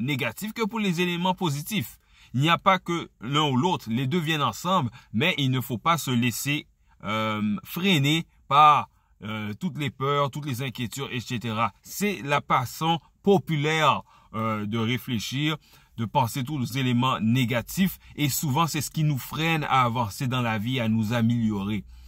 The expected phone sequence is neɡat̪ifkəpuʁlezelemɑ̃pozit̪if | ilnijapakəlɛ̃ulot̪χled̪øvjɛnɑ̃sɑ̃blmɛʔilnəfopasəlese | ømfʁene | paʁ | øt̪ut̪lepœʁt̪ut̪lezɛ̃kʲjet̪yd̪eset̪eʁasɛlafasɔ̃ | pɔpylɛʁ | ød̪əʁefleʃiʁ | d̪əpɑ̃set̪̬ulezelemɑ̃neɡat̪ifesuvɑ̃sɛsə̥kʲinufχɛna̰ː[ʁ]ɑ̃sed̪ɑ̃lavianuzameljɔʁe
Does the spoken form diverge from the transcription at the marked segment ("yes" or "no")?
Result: yes